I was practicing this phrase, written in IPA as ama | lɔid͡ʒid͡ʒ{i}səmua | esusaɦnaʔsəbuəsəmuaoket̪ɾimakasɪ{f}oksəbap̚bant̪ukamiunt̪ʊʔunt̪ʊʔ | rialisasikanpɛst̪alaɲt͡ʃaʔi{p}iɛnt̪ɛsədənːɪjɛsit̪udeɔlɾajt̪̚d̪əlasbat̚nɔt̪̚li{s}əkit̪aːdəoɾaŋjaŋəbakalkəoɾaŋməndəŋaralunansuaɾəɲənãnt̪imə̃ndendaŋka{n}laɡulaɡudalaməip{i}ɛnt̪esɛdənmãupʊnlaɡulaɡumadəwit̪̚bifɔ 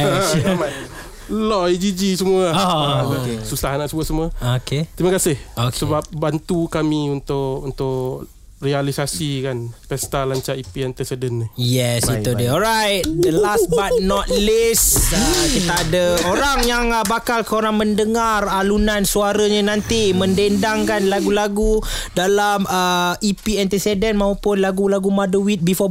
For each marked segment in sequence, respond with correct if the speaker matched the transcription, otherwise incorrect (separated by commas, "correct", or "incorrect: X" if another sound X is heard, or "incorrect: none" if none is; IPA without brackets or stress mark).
correct, incorrect: h, correct, correct, correct, correct